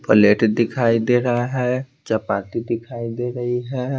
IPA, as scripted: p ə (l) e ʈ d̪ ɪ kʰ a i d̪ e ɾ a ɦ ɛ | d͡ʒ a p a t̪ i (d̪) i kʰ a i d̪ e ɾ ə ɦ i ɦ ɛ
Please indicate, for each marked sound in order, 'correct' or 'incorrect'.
correct, correct

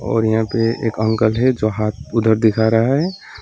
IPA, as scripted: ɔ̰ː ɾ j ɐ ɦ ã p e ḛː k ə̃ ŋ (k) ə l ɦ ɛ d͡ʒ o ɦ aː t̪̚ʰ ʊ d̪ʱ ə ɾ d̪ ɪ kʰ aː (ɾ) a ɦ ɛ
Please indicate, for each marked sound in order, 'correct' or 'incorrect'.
correct, correct

